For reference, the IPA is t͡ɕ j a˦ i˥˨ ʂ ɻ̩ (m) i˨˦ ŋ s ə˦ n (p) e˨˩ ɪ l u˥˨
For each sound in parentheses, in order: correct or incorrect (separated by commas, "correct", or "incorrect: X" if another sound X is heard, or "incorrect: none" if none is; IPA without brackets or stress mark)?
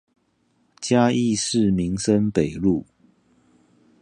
correct, correct